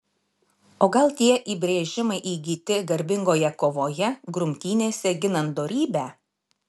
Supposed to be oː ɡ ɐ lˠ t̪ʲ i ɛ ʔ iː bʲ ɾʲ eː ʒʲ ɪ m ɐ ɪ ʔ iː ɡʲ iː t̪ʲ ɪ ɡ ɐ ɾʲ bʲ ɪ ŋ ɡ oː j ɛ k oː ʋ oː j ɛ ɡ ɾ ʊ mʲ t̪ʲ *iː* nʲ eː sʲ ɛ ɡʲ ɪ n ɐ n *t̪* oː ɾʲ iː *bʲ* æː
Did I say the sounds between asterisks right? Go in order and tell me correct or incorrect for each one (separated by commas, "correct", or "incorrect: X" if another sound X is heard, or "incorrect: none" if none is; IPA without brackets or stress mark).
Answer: correct, incorrect: d̪, correct